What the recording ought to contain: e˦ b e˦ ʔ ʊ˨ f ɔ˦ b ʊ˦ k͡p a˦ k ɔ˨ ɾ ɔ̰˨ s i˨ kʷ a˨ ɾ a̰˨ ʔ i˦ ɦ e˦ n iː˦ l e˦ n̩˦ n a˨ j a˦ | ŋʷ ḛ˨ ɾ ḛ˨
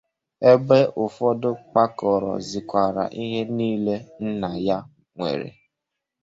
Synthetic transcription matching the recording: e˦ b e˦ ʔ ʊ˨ f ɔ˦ d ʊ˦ k͡p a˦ k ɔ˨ ɾ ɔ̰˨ z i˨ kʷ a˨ ɾ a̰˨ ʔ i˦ ɦ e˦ n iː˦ l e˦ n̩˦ n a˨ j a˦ | ŋʷ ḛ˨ ɾ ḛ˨